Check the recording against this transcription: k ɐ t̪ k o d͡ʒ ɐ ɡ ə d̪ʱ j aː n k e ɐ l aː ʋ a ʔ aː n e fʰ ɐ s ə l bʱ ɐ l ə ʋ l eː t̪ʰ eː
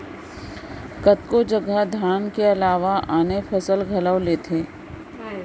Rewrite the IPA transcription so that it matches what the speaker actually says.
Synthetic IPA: k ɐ t̪ k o d͡ʒ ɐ ɡ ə d̪ʱ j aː n k e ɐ l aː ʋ a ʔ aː n e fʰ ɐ s ə l ɡʱ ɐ l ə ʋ l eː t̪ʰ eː